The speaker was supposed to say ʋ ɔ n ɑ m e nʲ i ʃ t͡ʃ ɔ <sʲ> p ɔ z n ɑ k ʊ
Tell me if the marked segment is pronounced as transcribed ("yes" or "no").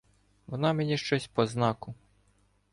yes